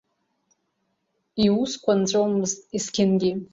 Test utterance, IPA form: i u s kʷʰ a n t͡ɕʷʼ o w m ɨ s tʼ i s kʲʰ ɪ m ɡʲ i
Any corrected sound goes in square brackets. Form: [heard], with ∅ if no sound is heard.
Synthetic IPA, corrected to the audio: i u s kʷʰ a n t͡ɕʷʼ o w m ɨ [z] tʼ i s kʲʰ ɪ [n] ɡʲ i